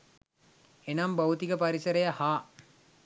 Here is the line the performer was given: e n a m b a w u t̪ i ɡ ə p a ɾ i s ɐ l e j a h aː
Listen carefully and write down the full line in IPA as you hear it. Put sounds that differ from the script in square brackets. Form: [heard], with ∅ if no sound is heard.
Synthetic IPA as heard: e n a m b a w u t̪ i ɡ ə p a ɾ i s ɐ [ɾ] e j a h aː